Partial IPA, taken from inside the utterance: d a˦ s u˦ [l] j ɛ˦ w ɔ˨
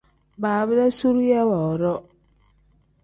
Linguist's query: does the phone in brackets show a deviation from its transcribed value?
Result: yes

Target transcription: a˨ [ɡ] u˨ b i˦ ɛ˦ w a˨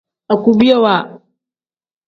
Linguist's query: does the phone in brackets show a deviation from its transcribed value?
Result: yes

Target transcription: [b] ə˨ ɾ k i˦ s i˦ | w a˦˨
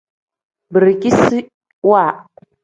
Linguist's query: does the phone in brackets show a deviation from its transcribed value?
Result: no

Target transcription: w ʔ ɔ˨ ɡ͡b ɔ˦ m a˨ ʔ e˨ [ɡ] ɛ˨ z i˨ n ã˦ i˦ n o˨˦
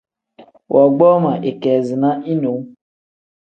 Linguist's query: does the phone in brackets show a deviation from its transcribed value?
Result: yes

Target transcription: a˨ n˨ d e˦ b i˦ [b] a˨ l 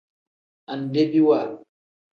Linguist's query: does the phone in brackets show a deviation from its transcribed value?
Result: yes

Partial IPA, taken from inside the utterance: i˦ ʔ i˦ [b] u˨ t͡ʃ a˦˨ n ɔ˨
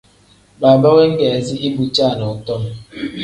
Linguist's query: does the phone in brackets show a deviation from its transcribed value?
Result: no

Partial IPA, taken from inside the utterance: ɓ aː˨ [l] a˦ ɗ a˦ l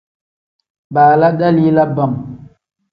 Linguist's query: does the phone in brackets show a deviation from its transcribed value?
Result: no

